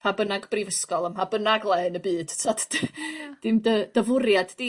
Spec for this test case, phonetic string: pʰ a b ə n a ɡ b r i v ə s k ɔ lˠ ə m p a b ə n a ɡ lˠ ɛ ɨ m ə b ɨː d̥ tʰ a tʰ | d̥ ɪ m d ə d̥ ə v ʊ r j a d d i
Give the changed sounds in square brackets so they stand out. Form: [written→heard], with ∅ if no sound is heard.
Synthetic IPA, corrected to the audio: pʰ a b ə n a ɡ b r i v ə s k ɔ lˠ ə m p a b ə n a ɡ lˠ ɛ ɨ [m→n] ə b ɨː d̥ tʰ a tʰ | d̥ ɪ m d ə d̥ ə v ʊ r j a d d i